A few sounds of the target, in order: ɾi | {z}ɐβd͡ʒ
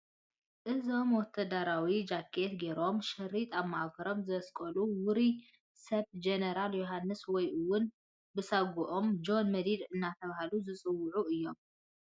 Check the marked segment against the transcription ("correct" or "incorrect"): incorrect